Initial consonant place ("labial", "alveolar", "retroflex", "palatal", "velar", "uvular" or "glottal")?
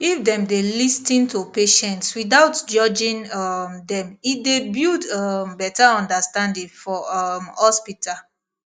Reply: labial